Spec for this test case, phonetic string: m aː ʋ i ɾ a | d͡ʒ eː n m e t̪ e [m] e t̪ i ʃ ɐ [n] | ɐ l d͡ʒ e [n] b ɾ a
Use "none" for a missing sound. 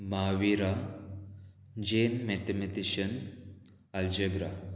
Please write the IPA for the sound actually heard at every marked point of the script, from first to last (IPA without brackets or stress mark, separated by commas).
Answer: m, n, none